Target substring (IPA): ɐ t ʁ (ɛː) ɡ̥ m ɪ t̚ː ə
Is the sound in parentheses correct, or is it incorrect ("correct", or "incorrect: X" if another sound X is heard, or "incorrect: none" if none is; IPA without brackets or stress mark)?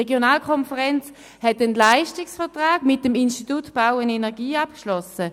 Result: incorrect: aː